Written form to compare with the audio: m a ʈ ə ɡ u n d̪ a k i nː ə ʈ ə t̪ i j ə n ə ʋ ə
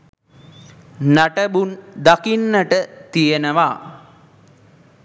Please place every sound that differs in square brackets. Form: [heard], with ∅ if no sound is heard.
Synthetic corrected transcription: [n] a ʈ ə [b] u n d̪ a k i nː ə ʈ ə t̪ i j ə n ə ʋ [a]